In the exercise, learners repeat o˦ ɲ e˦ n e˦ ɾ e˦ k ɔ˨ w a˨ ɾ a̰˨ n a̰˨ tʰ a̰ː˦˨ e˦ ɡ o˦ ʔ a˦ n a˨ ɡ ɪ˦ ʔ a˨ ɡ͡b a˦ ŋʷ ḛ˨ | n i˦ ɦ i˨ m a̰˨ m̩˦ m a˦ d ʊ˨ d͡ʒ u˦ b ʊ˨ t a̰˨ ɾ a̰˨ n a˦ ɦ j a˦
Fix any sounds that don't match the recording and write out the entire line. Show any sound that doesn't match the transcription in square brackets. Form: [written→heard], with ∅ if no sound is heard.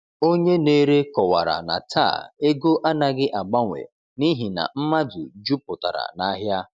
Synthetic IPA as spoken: o˦ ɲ e˦ n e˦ ɾ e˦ k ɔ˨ w a˨ ɾ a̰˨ n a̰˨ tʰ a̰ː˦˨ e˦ ɡ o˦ ʔ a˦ n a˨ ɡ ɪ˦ ʔ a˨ ɡ͡b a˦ ŋʷ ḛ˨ | n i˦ ɦ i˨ [m→n] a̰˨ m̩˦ m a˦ d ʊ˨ d͡ʒ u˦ [b→p] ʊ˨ t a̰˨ ɾ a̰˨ n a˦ ɦ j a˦

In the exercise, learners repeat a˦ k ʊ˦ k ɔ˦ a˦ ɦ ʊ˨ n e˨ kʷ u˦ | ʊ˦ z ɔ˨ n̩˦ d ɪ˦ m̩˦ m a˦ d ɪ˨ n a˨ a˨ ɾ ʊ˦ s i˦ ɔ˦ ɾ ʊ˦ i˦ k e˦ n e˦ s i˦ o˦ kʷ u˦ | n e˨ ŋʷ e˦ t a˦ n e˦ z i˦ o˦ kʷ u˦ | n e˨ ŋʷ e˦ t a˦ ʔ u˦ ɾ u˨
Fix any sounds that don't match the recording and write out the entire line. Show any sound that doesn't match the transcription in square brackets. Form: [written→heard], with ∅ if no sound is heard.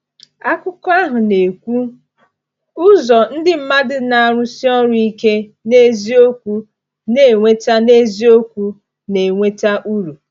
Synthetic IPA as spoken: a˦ k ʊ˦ k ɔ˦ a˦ ɦ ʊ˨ n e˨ kʷ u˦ | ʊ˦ z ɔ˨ n̩˦ d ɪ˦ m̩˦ m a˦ d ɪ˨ n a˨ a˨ ɾ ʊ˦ s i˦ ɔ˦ ɾ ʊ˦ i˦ k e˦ n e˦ [s→z] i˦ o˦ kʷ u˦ | n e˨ ŋʷ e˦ t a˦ n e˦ z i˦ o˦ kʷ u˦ | n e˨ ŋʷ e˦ t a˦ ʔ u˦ ɾ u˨

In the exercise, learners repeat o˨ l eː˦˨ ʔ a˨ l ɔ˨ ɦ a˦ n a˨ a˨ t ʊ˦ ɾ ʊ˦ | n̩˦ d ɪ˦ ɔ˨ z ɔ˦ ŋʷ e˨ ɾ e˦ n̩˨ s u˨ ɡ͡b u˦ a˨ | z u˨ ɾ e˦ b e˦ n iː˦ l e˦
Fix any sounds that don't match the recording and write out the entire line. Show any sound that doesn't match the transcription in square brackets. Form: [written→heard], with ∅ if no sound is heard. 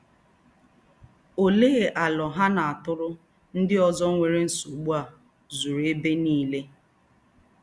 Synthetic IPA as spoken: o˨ l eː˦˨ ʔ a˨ l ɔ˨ ɦ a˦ n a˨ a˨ t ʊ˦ ɾ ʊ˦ | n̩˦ d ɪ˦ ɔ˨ z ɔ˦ ŋʷ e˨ ɾ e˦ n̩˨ s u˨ ɡ͡b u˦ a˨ | z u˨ ɾ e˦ b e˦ n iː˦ l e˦

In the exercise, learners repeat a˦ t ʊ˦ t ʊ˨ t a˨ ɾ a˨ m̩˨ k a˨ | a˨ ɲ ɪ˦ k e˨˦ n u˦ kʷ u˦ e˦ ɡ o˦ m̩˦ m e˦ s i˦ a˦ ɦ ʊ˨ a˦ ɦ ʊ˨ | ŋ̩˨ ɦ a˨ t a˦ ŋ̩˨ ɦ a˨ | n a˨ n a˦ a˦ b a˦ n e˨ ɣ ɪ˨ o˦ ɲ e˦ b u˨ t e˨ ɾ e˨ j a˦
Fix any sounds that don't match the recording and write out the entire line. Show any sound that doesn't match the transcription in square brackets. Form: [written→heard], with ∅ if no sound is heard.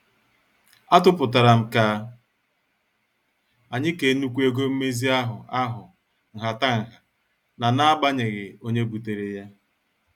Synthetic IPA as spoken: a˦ t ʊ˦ [t→p] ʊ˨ t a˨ ɾ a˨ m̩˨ k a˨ | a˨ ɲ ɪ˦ k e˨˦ n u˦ kʷ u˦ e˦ ɡ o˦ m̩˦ m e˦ [s→z] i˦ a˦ ɦ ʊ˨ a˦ ɦ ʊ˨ | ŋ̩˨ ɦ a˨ t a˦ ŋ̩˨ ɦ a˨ | n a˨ n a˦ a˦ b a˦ [n→ɲ] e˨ ɣ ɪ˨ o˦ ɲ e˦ b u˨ t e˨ ɾ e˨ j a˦

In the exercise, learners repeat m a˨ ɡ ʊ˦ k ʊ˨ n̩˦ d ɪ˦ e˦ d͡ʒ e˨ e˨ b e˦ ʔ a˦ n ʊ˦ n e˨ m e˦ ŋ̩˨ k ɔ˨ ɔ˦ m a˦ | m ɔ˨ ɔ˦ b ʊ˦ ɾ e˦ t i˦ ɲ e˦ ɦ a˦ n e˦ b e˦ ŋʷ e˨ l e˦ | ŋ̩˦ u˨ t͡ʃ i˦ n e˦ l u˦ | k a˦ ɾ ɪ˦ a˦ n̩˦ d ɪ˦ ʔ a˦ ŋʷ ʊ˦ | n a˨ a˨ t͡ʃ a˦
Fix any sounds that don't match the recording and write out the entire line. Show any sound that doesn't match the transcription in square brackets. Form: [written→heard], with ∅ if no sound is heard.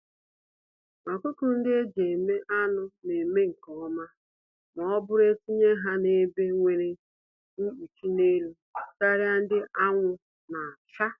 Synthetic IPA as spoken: m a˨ [ɡ→k] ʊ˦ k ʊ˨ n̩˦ d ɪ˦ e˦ d͡ʒ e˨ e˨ [b→m] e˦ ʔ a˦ n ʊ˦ n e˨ m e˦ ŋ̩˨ k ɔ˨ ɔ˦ m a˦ | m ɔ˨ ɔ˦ b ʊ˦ ɾ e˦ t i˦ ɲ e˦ ɦ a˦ n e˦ b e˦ ŋʷ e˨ [l→ɾ] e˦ | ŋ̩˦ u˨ t͡ʃ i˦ n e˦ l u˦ | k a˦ ɾ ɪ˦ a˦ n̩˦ d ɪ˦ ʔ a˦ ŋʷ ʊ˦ | n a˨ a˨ t͡ʃ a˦

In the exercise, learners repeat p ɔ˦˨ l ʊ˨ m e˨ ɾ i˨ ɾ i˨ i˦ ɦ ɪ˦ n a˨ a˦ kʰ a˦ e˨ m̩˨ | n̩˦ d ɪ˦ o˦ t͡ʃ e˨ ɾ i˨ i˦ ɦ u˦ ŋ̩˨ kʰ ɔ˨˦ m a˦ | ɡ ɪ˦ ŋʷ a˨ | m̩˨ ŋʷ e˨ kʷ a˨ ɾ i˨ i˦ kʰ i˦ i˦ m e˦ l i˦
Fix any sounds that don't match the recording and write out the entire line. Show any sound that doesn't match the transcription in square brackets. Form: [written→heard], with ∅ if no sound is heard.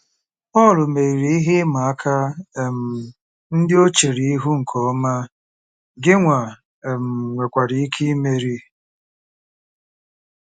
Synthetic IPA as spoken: p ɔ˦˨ l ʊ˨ m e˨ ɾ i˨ ɾ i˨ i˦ ɦ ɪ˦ [n→m] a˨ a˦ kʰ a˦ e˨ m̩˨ | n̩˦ d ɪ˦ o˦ t͡ʃ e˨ ɾ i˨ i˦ ɦ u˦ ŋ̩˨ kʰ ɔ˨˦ m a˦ | ɡ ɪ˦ ŋʷ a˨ | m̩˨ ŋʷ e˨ kʷ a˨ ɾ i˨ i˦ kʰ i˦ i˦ m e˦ [l→ɾ] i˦

